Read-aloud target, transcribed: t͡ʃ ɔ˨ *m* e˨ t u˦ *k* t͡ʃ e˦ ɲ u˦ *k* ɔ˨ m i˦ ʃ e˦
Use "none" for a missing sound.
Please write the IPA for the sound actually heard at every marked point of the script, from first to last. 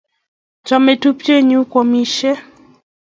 m, p, k

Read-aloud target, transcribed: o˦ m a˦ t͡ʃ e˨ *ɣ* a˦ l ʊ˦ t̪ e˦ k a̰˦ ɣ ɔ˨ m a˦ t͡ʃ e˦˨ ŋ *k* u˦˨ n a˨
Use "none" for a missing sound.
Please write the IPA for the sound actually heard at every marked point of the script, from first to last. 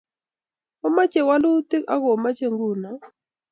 w, ɡ

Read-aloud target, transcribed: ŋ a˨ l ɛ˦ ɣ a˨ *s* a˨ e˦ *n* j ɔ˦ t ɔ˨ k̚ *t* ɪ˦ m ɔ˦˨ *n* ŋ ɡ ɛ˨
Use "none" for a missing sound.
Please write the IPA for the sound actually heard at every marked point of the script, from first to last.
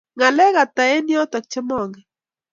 t, n, t͡ʃ, none

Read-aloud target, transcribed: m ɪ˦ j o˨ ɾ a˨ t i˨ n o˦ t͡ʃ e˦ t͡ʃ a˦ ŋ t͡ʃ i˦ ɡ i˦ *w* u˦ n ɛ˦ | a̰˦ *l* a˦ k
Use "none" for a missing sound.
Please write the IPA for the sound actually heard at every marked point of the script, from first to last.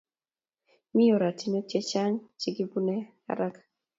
b, ɾ

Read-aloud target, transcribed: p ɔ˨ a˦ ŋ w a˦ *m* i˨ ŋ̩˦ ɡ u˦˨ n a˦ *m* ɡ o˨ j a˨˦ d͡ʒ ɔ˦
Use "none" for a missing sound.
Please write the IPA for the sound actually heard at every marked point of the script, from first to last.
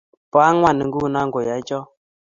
n, ŋ

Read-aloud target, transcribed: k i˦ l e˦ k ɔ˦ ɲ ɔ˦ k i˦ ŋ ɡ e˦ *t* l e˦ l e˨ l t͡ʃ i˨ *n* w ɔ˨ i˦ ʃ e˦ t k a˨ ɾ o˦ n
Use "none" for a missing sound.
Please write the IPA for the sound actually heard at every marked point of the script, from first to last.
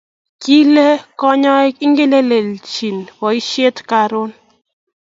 none, n

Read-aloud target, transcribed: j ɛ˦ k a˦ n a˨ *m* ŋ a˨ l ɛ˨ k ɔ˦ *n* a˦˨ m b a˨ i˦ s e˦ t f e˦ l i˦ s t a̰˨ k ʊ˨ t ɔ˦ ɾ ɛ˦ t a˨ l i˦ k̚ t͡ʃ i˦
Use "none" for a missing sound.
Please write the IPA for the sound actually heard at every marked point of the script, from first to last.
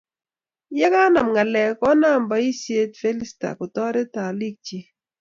m, n

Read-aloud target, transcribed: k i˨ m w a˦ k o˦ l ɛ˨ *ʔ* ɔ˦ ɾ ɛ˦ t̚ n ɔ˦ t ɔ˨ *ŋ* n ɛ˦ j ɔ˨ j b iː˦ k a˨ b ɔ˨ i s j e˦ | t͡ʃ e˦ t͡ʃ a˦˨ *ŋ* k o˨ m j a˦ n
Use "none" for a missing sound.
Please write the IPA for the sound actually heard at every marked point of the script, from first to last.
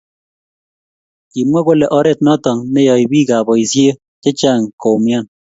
ʔ, ŋ, ŋ

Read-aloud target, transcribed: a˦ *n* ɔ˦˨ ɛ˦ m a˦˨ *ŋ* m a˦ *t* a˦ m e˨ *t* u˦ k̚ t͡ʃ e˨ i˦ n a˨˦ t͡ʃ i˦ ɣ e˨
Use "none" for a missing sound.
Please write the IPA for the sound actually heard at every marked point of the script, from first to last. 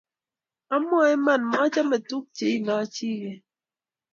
m, n, t͡ʃ, t

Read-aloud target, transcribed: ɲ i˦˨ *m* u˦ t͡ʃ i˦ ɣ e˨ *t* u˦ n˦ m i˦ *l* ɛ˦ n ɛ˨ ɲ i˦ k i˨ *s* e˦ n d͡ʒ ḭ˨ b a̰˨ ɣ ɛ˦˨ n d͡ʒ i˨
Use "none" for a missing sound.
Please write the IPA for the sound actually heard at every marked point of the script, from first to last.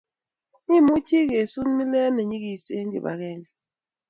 m, s, l, s

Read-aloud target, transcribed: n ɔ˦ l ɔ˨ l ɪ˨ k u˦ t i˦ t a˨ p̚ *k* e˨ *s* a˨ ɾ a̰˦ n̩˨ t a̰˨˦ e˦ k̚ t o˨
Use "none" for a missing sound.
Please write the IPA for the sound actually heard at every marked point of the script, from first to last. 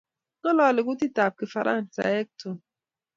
k, f

